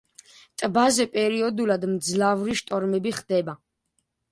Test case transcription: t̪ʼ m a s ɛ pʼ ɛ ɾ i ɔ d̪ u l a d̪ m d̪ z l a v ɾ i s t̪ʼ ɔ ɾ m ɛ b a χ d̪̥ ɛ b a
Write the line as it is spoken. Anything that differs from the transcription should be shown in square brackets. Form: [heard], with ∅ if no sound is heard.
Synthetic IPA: t̪ʼ [b] a [z] ɛ pʼ ɛ ɾ i ɔ d̪ u l a d̪ m d̪ z l a v ɾ i [ʃ] t̪ʼ ɔ ɾ m ɛ b [i] χ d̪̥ ɛ b a